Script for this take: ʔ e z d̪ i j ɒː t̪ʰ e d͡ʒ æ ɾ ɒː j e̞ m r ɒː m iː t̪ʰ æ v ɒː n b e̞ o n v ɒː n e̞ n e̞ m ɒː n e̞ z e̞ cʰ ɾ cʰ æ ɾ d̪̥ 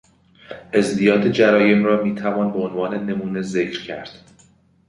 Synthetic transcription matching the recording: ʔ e z d̪ i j ɒː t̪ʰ e d͡ʒ æ ɾ ɒː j e̞ m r ɒː m iː t̪ʰ æ v ɒː n b e̞ o n v ɒː n e̞ n e̞ m uː n e̞ z e̞ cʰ ɾ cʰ æ ɾ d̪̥